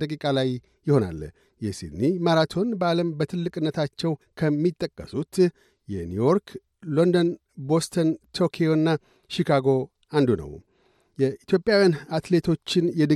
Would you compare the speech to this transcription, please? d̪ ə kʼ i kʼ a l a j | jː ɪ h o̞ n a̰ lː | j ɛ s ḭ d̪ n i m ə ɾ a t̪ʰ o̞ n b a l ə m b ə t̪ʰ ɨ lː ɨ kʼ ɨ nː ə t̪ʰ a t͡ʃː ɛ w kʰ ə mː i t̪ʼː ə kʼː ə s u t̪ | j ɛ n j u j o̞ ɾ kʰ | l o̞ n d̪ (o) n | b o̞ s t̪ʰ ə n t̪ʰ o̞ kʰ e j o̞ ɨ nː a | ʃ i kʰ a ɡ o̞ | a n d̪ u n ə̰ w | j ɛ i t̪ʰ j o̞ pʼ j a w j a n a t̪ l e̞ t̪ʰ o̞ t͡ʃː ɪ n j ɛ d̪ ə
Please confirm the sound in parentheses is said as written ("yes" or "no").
yes